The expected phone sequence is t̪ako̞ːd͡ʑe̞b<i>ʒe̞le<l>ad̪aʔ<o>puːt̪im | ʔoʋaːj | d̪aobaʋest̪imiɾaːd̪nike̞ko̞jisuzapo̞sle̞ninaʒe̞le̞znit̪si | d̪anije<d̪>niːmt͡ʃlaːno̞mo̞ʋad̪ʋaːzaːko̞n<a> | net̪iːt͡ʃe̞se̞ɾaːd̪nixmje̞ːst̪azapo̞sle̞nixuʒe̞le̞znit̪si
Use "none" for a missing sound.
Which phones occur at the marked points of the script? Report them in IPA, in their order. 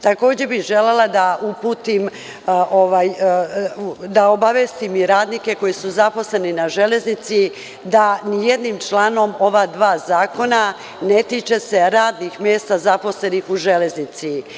i, l, u, d̪, a

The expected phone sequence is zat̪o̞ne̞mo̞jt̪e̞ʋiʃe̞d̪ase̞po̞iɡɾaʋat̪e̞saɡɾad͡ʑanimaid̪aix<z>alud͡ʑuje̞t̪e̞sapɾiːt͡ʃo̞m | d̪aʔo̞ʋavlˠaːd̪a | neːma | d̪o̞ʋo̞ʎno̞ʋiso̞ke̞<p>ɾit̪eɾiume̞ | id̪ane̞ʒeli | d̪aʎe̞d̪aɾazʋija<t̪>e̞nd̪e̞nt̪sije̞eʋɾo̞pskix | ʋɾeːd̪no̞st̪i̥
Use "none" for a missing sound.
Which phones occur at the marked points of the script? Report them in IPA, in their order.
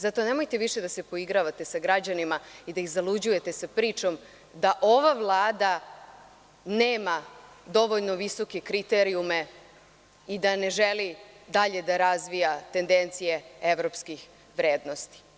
z, k, t̪

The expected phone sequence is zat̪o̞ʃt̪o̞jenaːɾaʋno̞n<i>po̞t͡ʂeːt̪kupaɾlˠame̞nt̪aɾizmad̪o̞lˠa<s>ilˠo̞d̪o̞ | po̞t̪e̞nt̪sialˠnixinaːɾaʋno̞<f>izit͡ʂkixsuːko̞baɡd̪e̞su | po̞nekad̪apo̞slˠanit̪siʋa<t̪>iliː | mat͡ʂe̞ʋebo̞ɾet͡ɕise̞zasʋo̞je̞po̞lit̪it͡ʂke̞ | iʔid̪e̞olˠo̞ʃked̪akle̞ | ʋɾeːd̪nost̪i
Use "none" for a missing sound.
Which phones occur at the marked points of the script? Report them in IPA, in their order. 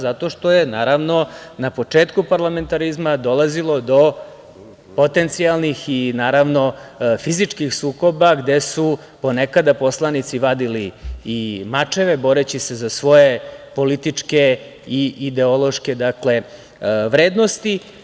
a, z, f, d̪

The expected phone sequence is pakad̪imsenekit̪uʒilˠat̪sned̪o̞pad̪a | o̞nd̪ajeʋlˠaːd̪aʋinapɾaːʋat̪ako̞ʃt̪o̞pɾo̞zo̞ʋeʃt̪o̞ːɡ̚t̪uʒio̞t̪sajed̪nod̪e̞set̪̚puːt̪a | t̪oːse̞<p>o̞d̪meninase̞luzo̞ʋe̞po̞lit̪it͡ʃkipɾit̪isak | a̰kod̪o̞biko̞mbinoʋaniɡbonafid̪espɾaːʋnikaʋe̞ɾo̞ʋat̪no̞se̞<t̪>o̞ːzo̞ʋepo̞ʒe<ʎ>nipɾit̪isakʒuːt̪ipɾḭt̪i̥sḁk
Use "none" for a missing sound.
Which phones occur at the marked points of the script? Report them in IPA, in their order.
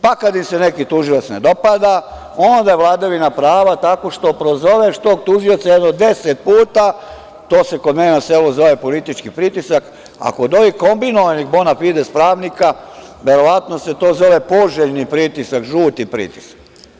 k, t̪, ʎ

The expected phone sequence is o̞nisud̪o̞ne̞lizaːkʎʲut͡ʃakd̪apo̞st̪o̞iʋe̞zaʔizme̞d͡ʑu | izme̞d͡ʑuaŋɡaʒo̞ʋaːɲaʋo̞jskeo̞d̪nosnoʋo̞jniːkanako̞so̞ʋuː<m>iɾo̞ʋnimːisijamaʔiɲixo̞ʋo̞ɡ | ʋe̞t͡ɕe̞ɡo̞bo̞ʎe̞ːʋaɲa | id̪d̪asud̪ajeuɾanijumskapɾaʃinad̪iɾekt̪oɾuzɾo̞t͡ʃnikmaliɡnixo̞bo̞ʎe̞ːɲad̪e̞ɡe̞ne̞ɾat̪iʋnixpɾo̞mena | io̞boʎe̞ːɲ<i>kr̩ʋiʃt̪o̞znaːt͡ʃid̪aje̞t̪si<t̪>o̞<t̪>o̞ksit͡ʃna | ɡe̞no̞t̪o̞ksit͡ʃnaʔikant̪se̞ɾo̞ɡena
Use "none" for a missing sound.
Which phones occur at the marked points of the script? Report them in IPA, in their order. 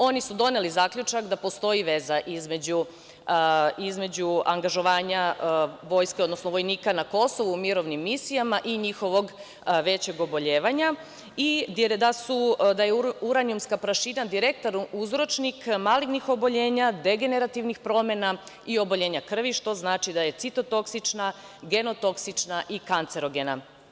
m, a, t̪, t̪

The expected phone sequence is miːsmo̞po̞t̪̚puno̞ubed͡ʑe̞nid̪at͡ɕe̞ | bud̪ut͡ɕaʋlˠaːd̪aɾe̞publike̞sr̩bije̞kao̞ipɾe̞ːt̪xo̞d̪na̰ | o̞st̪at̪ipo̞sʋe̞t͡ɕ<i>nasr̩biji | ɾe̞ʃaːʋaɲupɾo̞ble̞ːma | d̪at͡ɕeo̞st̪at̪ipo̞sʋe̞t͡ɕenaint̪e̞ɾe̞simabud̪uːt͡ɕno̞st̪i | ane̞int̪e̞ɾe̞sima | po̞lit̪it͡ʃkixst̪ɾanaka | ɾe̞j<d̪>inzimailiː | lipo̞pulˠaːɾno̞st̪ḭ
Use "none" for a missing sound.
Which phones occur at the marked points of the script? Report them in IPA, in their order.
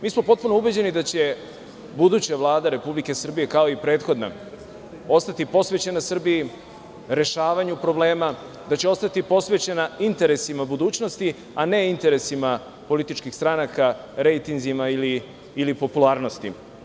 e, t̪

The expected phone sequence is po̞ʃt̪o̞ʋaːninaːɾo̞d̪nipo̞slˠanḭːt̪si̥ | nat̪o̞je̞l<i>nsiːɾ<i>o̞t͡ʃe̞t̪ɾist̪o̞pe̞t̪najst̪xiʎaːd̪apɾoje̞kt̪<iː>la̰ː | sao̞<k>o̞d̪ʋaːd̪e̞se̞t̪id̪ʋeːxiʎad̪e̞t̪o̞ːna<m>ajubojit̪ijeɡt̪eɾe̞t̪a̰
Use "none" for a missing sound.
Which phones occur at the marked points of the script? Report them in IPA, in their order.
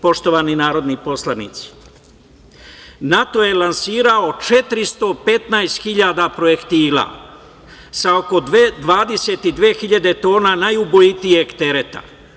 a, a, iː, k, n

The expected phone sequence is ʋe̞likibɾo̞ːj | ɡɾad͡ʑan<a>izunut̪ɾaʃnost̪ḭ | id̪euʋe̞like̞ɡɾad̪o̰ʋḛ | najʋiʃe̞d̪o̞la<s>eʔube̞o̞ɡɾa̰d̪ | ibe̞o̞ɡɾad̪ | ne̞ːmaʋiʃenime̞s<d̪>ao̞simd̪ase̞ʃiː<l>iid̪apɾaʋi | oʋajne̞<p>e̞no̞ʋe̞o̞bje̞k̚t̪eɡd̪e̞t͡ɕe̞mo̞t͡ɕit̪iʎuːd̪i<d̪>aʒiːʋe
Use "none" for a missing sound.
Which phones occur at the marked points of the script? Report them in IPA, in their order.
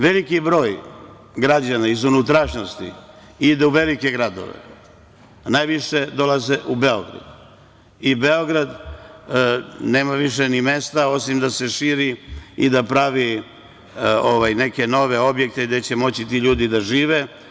a, z, t̪, ɾ, k, d̪

